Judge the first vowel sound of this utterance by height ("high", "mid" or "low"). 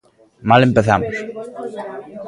low